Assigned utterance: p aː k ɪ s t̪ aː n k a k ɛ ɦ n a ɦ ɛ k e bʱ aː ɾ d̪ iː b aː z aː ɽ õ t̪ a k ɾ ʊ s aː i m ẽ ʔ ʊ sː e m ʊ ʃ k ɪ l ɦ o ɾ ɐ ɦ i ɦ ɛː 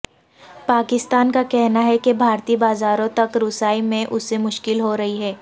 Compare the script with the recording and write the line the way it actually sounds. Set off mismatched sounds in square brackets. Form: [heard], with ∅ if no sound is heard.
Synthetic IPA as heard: p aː k ɪ s t̪ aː n k a k ɛ ɦ n a ɦ ɛ k e bʱ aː ɾ [t̪] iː b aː z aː [ɾ] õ t̪ [ɐ] k ɾ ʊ s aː i m ẽ ʔ ʊ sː e m ʊ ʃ k ɪ l ɦ o ɾ ɐ ɦ i ɦ ɛː